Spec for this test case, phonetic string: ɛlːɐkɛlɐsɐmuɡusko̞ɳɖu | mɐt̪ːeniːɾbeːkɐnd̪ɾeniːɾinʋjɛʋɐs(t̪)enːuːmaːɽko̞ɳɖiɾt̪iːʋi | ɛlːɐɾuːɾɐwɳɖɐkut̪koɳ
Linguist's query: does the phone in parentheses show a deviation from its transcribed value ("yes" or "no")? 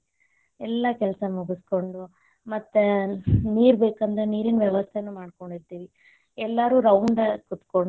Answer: yes